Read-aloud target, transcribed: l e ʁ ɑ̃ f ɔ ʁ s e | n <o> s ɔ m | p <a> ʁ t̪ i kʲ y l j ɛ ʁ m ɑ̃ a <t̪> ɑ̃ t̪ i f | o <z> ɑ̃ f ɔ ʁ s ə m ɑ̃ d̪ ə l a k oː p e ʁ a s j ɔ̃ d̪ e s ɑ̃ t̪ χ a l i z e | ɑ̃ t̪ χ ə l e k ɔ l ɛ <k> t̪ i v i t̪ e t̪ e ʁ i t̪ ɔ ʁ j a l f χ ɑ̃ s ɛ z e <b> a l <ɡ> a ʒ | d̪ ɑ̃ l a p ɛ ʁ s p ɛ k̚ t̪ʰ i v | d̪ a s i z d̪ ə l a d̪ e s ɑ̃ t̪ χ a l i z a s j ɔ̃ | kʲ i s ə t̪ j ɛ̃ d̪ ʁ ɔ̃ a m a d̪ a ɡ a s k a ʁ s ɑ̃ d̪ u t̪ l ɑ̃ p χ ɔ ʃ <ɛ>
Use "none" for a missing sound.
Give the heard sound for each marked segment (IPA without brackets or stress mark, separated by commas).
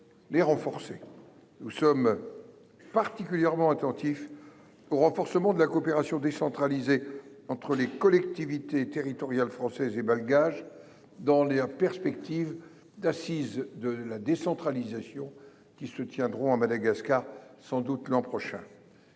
u, a, t̪, ʁ, k, b, ɡ, ɛ̃